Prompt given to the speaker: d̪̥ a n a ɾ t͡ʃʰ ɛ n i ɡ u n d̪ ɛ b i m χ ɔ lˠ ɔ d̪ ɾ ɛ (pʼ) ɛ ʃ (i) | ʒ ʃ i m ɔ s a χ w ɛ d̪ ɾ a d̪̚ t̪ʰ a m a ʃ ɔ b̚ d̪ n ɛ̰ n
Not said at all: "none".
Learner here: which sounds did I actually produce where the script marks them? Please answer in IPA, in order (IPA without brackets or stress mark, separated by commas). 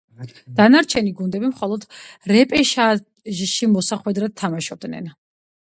pʼ, a